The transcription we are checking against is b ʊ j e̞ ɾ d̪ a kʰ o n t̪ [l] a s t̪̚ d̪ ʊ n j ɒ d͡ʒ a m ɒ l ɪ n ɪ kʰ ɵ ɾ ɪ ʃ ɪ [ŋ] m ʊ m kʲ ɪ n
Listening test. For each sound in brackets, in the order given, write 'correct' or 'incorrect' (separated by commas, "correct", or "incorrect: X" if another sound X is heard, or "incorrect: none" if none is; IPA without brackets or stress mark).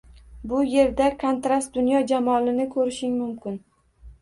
incorrect: ɾ, correct